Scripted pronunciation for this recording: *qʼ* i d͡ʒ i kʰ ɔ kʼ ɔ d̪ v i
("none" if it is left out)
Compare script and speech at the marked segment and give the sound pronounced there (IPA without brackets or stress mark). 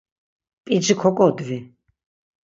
pʼ